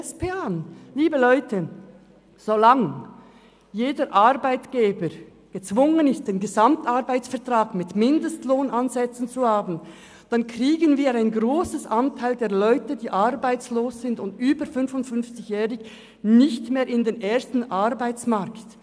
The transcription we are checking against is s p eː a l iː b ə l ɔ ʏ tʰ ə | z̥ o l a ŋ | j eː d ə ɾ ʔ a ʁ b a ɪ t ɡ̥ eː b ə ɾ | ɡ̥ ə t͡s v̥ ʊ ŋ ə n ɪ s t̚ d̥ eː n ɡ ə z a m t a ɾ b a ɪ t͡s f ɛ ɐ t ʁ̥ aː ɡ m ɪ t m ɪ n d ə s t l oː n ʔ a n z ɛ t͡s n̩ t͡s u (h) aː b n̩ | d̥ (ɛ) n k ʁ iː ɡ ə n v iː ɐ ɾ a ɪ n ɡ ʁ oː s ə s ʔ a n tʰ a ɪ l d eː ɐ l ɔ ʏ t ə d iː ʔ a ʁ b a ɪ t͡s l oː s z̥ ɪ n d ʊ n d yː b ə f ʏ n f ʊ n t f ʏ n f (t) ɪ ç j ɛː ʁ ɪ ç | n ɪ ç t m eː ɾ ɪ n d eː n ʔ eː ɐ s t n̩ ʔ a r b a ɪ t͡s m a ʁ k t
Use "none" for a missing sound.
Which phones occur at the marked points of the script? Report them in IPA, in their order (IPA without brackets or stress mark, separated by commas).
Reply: h, a, t͡s